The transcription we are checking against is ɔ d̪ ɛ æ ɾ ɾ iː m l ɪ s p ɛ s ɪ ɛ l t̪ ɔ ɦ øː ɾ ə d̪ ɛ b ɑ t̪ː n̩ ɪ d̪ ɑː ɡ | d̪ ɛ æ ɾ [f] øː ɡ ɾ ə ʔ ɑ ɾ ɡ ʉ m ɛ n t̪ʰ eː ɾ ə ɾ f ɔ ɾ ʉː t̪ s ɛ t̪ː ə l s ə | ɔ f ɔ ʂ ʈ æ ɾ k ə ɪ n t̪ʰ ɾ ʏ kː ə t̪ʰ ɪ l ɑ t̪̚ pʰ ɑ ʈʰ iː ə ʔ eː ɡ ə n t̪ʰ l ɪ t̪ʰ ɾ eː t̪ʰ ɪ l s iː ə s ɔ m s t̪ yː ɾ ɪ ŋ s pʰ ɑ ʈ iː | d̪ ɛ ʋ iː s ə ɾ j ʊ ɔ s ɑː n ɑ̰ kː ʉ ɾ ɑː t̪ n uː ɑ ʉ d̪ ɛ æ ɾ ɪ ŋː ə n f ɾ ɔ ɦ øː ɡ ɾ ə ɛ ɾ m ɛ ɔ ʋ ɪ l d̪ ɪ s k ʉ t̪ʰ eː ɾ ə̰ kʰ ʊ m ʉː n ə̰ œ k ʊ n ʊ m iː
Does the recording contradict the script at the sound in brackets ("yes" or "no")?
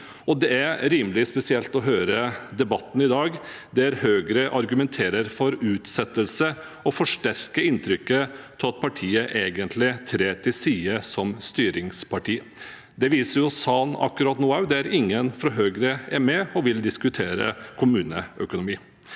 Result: yes